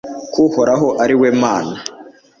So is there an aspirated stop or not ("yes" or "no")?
no